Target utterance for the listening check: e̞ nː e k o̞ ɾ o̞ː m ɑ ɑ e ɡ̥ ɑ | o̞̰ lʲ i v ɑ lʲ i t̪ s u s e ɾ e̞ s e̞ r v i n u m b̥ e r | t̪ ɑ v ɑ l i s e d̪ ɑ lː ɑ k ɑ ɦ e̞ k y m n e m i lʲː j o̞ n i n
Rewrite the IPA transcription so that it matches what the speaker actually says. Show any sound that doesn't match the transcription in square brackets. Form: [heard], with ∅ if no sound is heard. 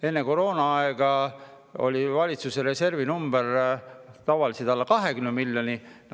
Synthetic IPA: e̞ nː e k o̞ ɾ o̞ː [n] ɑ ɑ e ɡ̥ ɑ | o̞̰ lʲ i v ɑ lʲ i t̪ s u s e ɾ e̞ s e̞ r v i n u m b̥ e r | t̪ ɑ v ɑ l i s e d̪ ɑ lː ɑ k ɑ ɦ e̞ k y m n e m i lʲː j o̞ n i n